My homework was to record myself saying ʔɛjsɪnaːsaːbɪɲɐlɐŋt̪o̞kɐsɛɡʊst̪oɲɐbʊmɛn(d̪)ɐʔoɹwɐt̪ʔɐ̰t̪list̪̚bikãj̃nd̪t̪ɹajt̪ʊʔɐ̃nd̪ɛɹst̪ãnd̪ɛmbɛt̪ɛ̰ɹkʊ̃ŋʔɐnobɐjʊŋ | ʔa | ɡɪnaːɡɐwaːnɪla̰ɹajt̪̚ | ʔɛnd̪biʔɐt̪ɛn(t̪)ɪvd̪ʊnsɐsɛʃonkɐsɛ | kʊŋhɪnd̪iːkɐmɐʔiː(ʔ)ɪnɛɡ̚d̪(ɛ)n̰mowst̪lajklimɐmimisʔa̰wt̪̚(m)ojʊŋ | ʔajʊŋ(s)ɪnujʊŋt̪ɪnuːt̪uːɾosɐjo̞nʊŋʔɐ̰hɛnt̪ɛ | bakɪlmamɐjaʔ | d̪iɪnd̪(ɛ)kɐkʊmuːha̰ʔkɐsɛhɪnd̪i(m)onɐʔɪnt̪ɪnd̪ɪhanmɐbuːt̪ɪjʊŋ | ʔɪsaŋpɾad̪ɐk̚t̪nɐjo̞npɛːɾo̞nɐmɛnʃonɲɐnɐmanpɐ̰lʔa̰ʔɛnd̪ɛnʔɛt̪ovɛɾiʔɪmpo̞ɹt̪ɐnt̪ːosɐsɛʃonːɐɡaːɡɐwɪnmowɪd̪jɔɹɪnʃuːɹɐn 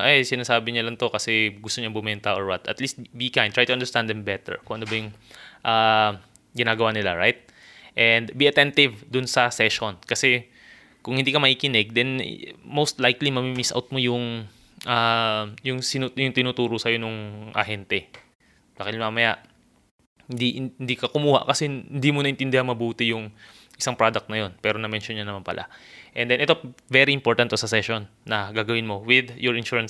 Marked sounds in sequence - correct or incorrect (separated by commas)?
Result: incorrect, correct, incorrect, correct, correct, correct, incorrect, correct